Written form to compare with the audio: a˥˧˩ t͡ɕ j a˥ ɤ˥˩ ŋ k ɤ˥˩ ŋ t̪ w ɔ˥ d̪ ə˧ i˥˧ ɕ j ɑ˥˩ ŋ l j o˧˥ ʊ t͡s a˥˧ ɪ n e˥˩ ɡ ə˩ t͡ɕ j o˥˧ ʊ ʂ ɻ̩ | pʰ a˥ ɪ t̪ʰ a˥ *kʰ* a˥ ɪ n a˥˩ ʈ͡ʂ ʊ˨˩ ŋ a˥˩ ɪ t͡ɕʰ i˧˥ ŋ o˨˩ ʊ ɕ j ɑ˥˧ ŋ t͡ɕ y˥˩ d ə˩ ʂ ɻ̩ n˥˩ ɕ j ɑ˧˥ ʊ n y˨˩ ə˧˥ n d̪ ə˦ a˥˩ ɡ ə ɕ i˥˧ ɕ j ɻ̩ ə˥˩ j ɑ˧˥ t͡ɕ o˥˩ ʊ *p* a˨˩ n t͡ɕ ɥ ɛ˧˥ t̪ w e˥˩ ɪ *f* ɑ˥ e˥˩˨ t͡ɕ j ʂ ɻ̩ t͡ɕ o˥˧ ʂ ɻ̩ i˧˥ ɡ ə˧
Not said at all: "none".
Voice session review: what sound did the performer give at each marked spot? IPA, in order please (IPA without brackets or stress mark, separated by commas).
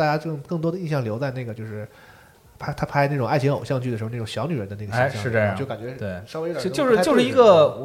pʰ, k, ʂ